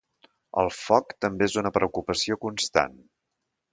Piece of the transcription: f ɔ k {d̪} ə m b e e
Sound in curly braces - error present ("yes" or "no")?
yes